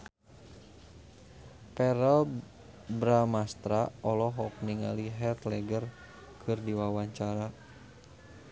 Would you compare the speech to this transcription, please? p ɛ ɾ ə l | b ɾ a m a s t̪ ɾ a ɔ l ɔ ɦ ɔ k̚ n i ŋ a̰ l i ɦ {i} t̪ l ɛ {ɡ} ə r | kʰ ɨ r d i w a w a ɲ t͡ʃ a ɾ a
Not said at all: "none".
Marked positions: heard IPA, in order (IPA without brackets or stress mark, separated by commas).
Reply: ɛ, ɡ